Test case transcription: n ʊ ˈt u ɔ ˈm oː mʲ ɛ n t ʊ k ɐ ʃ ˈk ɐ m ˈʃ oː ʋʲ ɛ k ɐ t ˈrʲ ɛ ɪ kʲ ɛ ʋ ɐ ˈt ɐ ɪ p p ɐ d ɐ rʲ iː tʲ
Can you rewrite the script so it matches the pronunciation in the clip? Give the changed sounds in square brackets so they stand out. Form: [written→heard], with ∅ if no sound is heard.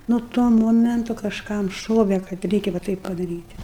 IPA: n ʊ ˈt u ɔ ˈm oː mʲ ɛ n t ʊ k ɐ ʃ ˈk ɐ m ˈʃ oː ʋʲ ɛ k ɐ t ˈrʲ ɛ ɪ kʲ ɛ ʋ ɐ ˈt ɐ ɪ p p ɐ d ɐ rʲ iː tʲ